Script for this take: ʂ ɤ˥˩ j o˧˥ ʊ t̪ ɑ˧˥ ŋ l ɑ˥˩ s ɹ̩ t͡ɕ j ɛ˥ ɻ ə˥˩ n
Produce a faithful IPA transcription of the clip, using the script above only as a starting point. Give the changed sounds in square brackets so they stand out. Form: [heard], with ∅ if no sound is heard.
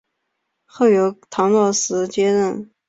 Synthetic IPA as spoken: [x] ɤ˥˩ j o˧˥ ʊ [t̪ʰ] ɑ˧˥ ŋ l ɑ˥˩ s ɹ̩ t͡ɕ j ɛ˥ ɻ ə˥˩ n